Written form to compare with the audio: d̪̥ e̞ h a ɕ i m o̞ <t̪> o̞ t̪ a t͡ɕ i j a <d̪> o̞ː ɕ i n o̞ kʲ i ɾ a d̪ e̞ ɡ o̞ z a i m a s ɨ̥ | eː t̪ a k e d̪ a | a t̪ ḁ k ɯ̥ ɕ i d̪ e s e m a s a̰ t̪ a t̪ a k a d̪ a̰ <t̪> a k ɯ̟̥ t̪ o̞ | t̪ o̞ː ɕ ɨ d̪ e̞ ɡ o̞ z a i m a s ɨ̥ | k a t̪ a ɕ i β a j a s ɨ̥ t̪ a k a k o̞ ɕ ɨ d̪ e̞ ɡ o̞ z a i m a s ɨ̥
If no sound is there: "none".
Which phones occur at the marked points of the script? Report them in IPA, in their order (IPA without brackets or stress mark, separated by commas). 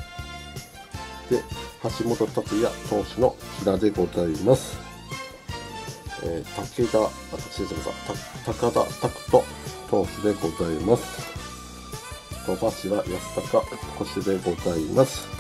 t̪, t̪, t̪